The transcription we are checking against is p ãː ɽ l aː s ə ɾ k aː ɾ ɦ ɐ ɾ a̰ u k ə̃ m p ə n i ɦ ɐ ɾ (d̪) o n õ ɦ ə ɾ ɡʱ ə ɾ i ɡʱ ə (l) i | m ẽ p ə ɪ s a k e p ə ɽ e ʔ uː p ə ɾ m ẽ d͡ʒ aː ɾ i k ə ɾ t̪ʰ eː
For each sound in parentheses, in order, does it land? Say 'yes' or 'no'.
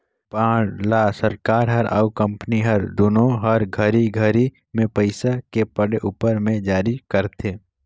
yes, no

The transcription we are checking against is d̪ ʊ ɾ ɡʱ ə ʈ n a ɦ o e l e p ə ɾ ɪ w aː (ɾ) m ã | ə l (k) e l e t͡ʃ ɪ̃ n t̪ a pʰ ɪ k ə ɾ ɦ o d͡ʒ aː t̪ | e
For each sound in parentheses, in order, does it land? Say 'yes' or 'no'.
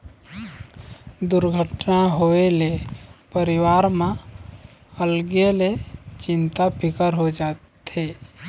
yes, no

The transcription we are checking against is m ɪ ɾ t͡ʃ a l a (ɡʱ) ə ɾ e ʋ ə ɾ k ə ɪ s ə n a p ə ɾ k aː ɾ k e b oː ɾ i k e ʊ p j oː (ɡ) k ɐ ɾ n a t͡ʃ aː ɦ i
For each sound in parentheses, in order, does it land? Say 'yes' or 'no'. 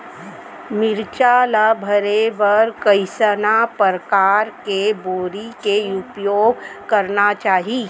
no, yes

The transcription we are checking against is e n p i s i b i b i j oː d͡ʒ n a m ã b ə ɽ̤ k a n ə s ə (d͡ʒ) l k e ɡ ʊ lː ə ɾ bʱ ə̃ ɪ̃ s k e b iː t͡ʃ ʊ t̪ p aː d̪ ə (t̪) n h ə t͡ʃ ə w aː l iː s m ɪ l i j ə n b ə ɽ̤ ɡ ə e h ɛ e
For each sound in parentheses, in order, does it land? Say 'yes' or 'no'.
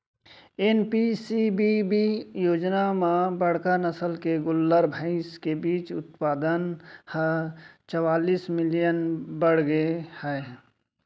no, no

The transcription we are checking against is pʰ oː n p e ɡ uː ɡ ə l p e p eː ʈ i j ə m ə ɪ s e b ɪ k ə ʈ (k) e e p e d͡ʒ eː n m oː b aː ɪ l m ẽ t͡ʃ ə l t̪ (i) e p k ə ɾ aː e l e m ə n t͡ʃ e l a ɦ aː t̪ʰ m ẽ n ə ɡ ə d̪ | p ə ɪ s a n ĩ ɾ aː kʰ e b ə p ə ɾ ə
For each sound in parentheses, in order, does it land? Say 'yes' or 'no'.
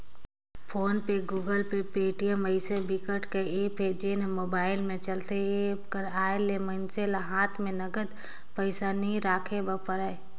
yes, no

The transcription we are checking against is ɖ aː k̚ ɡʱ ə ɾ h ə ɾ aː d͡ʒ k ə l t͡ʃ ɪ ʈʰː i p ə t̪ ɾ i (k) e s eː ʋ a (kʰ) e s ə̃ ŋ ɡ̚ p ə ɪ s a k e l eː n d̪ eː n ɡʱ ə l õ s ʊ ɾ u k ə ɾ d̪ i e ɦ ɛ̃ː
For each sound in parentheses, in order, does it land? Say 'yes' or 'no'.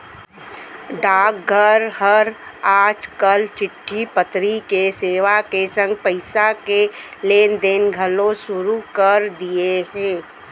yes, no

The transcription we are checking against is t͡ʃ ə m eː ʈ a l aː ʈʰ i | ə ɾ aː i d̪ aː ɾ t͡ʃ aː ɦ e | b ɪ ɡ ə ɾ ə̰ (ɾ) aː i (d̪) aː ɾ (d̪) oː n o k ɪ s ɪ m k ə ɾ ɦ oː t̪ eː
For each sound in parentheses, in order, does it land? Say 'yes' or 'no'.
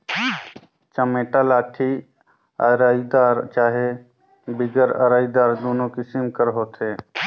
yes, yes, yes

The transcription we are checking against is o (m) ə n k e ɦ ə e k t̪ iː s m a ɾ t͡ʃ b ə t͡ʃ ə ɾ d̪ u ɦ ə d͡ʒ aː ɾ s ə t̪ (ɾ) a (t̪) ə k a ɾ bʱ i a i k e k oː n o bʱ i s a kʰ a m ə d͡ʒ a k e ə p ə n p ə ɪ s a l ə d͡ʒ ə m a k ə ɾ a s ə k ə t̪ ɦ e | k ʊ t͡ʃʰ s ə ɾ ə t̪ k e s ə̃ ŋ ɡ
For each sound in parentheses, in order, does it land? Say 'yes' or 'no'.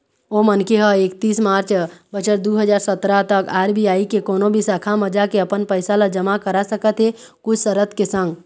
yes, yes, yes

